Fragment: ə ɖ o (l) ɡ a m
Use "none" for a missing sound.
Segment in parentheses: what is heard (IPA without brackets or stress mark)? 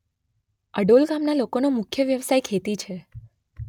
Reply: l